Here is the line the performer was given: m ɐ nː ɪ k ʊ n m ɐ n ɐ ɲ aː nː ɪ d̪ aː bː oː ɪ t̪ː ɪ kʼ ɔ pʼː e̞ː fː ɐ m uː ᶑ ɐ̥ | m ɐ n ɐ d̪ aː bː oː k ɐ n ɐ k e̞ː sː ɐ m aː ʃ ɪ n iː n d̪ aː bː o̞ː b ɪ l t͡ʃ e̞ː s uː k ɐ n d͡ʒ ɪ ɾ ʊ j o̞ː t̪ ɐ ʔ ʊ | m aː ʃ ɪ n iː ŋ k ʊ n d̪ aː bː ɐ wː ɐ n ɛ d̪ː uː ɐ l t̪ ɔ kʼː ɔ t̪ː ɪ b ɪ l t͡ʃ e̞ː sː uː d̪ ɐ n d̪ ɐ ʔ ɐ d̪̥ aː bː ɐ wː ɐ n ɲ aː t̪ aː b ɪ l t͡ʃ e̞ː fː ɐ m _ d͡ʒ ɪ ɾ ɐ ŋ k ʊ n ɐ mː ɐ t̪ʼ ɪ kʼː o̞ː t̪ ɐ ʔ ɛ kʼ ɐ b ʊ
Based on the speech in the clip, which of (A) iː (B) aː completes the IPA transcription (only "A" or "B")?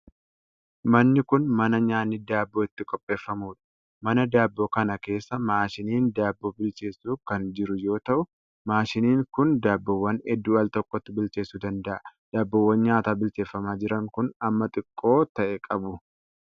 B